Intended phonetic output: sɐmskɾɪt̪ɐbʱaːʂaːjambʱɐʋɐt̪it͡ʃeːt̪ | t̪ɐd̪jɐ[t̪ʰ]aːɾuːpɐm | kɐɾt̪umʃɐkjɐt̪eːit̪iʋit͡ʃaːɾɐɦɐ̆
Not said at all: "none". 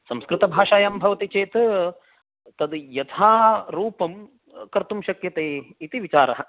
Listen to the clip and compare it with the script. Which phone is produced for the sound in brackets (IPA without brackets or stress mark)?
t̪ʰ